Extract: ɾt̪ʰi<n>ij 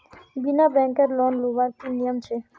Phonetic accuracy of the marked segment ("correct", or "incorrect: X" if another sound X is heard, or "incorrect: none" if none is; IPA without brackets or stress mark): correct